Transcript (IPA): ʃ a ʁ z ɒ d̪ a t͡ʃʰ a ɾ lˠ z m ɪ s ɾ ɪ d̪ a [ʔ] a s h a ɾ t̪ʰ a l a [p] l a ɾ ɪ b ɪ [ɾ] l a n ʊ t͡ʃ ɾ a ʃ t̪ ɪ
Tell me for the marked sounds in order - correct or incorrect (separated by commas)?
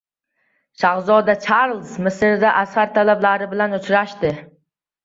correct, incorrect, incorrect